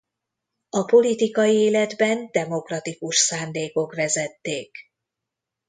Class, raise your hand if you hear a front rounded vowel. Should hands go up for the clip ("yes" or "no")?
no